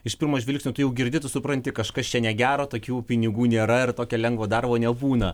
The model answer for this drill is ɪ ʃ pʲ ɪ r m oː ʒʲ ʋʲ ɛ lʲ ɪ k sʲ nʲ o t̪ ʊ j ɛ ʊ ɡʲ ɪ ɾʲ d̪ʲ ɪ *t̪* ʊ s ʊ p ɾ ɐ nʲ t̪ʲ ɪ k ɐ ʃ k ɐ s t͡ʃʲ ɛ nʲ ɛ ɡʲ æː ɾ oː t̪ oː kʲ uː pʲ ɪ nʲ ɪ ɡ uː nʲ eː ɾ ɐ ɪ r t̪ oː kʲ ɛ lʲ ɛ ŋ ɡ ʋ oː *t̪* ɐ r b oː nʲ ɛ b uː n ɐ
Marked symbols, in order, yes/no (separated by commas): yes, no